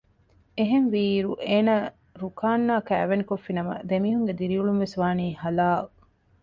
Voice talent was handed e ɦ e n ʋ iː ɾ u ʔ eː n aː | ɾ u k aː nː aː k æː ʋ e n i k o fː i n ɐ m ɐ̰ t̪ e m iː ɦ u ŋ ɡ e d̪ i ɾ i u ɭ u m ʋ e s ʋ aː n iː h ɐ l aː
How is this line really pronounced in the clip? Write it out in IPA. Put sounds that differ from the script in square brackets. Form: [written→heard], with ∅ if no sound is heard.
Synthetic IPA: e ɦ e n ʋ iː ɾ u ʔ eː n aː | ɾ u k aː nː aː k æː ʋ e n i k o fː i n ɐ m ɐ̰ [t̪→d̪] e m iː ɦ u ŋ ɡ e d̪ i ɾ i u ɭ u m ʋ e s ʋ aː n iː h ɐ l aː